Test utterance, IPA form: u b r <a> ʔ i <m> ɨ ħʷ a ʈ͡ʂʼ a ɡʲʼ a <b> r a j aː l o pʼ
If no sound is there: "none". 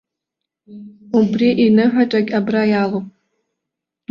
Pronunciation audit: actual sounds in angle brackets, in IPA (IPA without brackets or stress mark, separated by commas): i, n, b